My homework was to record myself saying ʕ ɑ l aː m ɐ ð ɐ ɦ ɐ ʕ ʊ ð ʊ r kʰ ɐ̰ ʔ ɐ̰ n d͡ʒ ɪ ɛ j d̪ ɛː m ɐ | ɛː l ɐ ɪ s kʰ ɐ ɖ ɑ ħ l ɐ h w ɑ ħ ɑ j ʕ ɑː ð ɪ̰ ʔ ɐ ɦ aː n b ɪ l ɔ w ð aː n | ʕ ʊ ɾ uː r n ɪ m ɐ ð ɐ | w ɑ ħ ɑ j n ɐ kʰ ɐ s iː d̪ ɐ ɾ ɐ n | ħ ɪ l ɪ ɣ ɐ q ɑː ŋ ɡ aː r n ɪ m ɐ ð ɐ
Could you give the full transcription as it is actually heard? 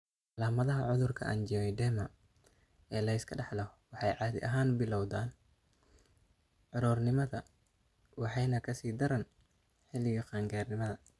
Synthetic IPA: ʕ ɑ l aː m ɐ ð ɐ ɦ ɐ ʕ ʊ ð ʊ r kʰ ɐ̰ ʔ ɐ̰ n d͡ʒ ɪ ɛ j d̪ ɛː m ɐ | ɛː l ɐ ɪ s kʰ ɐ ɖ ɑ ħ l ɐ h w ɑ ħ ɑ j ʕ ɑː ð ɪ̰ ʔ ɐ ɦ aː n b ɪ l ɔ w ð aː n | ʕ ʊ ɾ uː r n ɪ m ɐ ð ɐ | w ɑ ħ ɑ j n ɐ kʰ ɐ s iː d̪ ɐ ɾ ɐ n | ħ ɪ l ɪ ɣ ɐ q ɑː ŋ ɡ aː r n ɪ m ɐ ð ɐ